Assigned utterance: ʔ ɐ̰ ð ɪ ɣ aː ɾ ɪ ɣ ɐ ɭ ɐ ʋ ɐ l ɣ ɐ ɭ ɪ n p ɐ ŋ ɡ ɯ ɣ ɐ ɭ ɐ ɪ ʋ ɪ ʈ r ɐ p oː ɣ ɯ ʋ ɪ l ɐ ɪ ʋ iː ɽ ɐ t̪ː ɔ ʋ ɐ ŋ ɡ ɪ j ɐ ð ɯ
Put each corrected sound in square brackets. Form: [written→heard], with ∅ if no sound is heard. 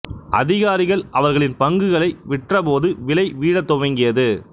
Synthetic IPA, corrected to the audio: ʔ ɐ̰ ð ɪ ɣ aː ɾ ɪ ɣ ɐ ɭ ɐ ʋ ɐ [l→ɾ] ɣ ɐ ɭ ɪ n p ɐ ŋ ɡ ɯ ɣ ɐ ɭ ɐ ɪ ʋ ɪ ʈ r ɐ p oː [ɣ→ð] ɯ ʋ ɪ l ɐ ɪ ʋ iː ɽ ɐ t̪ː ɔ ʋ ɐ ŋ ɡ ɪ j ɐ ð ɯ